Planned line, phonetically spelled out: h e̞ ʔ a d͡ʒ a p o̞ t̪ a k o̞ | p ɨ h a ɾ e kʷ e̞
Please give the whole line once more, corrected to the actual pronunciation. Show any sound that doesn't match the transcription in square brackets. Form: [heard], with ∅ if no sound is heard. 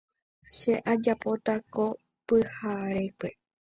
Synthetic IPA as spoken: [ʃ] e̞ ʔ a d͡ʒ a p o̞ t̪ a k o̞ | p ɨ h a ɾ e kʷ e̞